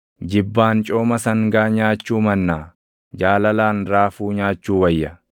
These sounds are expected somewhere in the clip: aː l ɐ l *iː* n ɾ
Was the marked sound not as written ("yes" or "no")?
yes